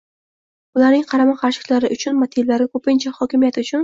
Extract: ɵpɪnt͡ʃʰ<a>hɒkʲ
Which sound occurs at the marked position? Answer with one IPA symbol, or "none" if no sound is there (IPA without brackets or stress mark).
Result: a